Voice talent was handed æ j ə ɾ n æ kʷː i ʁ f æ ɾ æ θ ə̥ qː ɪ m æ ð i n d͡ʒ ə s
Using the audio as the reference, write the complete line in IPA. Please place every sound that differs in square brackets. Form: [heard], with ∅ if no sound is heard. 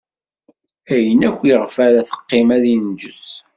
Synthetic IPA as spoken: æ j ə [∅] n æ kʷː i ʁ f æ ɾ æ θ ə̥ qː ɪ m æ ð i n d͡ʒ ə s